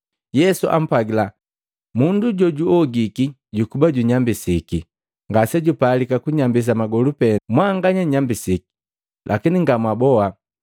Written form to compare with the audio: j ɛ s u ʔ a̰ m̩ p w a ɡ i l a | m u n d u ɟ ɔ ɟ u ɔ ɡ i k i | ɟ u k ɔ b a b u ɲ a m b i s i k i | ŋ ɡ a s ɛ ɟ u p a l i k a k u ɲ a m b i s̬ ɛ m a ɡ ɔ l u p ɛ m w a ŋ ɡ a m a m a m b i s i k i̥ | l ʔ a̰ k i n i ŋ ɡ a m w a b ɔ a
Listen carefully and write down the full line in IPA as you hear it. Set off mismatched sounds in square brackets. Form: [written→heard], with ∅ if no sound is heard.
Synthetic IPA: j ɛ s u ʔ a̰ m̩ p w a ɡ i l a | m u n d u ɟ ɔ ɟ u ɔ ɡ i k i | ɟ u k [ɔ→u] b a [b→ɟ] u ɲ a m b i s i k i | ŋ ɡ a s ɛ ɟ u p a l i k a k u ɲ a m b i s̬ [ɛ→a] m a ɡ ɔ l u p ɛ m w a ŋ ɡ a [m→ɲ] a [m→ɲ] a m b i s i k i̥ | l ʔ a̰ k i n i ŋ ɡ a m w a b ɔ a